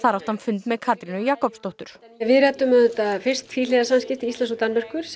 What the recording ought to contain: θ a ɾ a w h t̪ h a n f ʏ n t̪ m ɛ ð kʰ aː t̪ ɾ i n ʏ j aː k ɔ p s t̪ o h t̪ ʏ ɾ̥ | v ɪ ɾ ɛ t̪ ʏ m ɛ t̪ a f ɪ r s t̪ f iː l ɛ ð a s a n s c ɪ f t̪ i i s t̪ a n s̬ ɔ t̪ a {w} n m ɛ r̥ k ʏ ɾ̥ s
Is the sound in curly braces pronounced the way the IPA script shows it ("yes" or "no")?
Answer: no